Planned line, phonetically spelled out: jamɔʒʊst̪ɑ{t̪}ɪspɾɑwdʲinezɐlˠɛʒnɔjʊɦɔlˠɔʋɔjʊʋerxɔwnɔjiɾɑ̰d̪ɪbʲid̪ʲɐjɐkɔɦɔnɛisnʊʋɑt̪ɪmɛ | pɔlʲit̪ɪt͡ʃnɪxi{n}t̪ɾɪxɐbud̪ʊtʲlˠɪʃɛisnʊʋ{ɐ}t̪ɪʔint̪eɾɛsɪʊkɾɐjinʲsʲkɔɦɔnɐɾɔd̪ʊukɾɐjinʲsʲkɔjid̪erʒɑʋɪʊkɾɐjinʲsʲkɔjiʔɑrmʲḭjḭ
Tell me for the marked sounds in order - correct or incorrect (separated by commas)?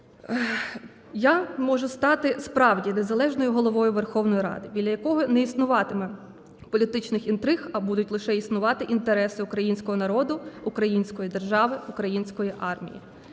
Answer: correct, correct, incorrect